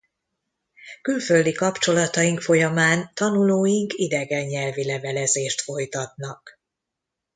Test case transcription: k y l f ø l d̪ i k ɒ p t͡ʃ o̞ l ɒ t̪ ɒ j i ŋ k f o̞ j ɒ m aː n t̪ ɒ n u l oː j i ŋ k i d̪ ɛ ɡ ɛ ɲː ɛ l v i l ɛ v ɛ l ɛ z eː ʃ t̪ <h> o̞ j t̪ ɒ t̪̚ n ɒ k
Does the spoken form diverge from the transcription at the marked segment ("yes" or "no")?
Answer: yes